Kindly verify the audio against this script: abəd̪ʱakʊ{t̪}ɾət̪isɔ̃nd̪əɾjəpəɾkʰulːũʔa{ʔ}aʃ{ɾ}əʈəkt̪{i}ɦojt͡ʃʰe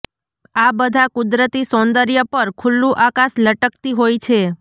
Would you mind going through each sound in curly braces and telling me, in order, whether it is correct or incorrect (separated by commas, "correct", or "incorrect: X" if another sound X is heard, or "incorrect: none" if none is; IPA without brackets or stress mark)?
incorrect: d̪, incorrect: k, incorrect: l, correct